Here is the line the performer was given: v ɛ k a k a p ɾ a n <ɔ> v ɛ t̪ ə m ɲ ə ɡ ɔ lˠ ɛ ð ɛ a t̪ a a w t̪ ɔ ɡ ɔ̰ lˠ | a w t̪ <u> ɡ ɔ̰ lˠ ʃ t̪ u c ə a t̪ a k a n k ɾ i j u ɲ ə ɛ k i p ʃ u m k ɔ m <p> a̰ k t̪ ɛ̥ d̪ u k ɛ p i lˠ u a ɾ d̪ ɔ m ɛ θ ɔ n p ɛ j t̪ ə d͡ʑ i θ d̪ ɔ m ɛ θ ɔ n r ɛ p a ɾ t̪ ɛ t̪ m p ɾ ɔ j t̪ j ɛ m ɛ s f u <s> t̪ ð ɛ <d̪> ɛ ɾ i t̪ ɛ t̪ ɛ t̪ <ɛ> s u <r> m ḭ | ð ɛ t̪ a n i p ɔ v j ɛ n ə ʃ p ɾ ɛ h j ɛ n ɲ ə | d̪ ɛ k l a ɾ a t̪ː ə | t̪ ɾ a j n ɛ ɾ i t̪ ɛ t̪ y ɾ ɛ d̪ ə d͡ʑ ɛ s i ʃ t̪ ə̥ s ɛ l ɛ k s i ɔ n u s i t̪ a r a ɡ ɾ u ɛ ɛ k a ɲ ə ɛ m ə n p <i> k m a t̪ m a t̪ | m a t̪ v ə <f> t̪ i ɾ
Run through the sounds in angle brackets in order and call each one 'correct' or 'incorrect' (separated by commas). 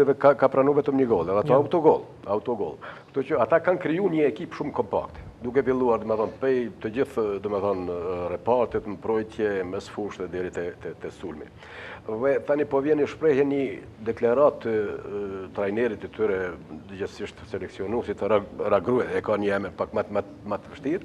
incorrect, incorrect, correct, incorrect, correct, correct, incorrect, incorrect, incorrect